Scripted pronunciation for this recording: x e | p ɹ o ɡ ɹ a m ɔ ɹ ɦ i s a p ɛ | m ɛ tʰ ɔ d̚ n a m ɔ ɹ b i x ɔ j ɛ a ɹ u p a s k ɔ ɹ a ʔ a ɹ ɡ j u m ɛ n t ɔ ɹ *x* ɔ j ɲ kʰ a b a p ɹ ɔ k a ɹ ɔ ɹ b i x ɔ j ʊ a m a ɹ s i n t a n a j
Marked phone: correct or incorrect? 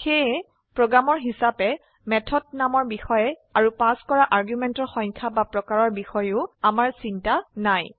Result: correct